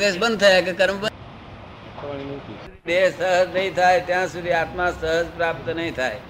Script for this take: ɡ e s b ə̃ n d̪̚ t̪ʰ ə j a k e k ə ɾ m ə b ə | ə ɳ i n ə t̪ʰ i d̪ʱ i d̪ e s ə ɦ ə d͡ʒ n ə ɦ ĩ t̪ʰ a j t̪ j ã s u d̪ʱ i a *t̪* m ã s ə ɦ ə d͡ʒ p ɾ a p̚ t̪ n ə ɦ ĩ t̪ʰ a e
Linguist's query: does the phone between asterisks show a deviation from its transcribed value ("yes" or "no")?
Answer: no